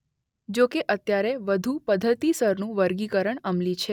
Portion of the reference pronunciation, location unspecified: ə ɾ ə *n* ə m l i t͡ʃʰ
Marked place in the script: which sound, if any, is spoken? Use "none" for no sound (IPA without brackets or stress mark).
ɳ